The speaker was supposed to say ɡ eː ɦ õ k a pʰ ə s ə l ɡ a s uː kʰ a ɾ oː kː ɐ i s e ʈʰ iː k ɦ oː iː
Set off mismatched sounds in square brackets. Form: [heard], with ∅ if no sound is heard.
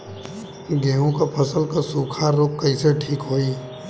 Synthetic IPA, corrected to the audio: ɡ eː ɦ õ k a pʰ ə s ə l [k] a s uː kʰ a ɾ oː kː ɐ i s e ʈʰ iː k ɦ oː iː

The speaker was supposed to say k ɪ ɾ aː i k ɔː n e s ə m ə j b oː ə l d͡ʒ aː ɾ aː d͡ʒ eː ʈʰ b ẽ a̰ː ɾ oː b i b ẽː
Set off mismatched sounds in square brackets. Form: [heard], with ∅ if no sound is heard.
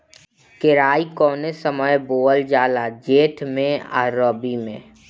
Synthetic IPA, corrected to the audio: k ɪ ɾ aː i k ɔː n e s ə m ə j b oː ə l d͡ʒ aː [l] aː d͡ʒ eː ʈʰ [m] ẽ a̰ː ɾ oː b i [m] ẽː

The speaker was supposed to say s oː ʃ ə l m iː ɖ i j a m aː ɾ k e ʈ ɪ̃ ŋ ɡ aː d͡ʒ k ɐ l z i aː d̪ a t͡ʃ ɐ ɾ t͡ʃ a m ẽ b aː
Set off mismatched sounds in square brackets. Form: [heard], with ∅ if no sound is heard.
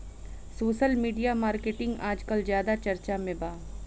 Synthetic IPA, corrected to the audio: s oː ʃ ə l m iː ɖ i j a m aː ɾ k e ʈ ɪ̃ ŋ ɡ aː d͡ʒ k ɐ l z [j] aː d̪ a t͡ʃ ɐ ɾ t͡ʃ a m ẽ b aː

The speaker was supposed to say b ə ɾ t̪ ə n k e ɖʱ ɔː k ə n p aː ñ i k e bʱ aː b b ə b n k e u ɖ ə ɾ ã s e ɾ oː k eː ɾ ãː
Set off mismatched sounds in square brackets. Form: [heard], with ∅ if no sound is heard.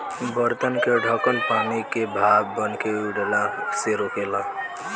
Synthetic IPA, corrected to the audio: b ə ɾ t̪ ə n k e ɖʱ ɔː k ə n p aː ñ i k e bʱ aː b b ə [∅] n k e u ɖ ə [l] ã s e ɾ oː k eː [l] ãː

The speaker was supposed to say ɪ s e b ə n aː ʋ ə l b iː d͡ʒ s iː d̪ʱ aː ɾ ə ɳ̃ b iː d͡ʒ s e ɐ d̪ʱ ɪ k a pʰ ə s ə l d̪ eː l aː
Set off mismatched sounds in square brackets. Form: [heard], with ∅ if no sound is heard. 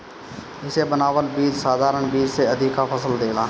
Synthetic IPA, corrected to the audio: ɪ s e b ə n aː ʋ ə l b iː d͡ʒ s [aː] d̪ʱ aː ɾ ə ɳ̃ b iː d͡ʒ s e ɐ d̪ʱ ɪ k a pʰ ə s ə l d̪ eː l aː

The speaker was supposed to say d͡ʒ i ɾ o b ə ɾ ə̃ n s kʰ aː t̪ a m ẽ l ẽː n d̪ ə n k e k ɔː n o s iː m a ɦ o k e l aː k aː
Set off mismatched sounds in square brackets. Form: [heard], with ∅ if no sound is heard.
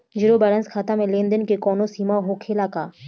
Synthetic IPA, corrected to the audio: d͡ʒ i ɾ o b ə ɾ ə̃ n s kʰ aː t̪ a m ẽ l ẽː n d̪ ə n k e k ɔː n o s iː m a ɦ o [kʰ] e l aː k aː

